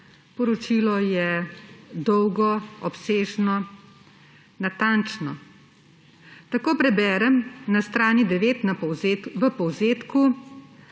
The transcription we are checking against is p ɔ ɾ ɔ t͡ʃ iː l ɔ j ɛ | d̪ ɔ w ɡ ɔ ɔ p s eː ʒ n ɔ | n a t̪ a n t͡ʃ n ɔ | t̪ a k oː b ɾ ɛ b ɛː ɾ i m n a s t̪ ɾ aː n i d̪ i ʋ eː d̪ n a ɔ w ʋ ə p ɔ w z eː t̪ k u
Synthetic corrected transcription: p ɔ ɾ ɔ t͡ʃ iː l ɔ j ɛ | d̪ ɔ w ɡ ɔ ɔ p s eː ʒ n ɔ | n a t̪ a n t͡ʃ n ɔ | t̪ a k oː p ɾ ɛ b ɛː ɾ ɛ m n a s t̪ ɾ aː n i d̪ ɛ ʋ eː t̪ n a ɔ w ʋ ə p ɔ w z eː t̪ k u